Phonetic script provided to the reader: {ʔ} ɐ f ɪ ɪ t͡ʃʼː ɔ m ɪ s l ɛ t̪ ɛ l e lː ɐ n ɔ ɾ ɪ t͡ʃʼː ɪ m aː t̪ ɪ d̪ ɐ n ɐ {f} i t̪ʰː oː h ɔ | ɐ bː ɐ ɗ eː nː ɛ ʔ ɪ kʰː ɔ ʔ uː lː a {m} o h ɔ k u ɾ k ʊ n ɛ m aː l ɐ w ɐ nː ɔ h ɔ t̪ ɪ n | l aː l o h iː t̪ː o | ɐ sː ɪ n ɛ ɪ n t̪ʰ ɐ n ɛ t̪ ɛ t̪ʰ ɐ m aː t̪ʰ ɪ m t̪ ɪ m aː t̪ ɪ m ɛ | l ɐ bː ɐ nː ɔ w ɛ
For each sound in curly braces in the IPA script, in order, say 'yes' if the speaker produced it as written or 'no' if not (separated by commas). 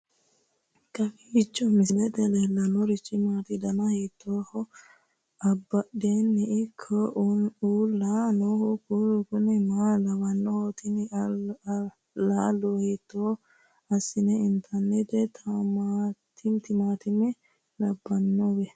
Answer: no, no, no